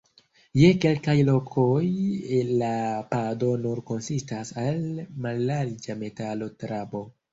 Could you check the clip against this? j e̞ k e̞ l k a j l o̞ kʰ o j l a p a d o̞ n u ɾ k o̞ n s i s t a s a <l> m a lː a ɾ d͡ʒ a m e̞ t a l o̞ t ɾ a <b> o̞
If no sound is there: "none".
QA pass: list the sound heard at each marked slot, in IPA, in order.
l, b

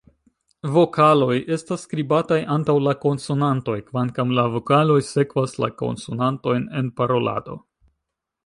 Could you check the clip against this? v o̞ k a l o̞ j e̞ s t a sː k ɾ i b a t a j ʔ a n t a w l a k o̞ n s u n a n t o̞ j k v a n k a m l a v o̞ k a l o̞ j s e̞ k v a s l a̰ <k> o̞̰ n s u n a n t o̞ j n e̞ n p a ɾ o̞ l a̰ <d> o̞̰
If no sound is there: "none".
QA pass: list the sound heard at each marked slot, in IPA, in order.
k, d

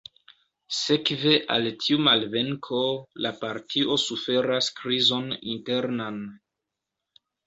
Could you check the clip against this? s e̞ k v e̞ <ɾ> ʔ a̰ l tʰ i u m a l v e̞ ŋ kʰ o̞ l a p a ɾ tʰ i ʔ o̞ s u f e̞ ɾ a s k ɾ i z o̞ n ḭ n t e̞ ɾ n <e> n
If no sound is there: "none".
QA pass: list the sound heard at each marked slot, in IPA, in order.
none, a

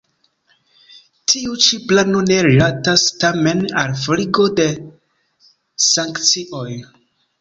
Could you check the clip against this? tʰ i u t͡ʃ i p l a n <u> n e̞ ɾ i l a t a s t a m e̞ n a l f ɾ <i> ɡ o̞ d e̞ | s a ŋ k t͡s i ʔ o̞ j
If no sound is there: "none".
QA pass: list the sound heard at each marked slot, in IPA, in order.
o, i

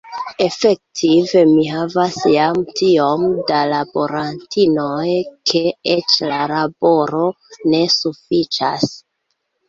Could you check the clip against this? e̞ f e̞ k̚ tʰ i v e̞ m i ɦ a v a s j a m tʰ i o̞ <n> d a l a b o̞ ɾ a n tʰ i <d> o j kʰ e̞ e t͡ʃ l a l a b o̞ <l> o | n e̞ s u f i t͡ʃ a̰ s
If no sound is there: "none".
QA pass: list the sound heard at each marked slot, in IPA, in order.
m, n, ɾ

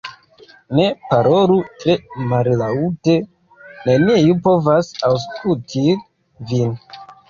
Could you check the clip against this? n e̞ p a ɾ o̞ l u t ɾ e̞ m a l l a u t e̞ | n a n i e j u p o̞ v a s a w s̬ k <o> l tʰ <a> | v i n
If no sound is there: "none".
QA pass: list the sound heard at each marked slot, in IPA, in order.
u, i

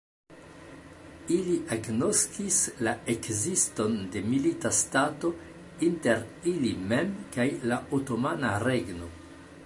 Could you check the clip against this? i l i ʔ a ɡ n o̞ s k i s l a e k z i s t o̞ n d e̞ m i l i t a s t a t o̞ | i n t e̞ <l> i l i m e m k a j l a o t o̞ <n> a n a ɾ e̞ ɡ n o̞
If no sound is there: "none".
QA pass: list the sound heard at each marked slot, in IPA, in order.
ɾ, m

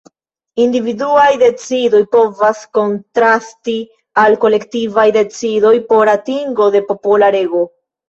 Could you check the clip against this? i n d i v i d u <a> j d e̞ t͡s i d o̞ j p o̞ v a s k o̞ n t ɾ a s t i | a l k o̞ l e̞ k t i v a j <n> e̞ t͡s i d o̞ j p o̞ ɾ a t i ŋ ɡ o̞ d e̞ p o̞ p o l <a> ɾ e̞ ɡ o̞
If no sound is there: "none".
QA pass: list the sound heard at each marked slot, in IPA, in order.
a, d, a

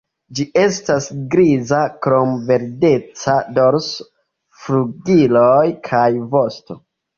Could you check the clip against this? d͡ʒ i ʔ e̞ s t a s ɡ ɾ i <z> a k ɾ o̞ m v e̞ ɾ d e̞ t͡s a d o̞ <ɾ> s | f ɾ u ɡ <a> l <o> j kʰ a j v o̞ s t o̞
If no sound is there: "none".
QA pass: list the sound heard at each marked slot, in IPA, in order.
z, ɾ, i, o

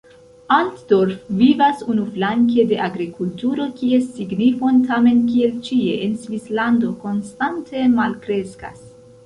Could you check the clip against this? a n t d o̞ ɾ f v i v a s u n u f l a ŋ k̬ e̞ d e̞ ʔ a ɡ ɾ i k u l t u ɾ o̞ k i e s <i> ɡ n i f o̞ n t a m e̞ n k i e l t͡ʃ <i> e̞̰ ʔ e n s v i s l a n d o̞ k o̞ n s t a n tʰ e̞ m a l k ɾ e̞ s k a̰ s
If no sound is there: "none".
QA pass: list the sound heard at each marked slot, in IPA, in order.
i, i

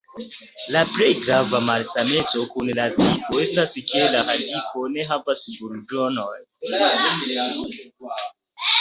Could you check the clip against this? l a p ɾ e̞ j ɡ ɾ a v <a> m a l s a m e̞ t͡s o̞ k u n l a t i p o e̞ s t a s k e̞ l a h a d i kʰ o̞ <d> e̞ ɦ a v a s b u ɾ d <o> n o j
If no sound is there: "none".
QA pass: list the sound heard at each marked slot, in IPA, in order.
a, n, o

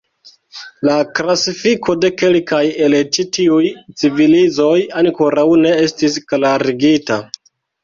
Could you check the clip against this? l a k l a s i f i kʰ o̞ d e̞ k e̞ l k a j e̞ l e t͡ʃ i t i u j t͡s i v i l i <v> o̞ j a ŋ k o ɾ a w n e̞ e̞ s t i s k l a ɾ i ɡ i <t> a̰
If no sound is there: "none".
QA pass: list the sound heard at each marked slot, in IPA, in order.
z, t

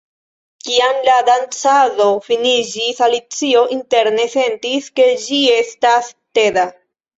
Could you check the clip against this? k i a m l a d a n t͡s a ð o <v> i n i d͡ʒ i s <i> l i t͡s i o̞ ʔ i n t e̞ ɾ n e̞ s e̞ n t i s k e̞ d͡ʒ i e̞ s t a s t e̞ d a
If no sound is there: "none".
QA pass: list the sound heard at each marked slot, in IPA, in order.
f, a

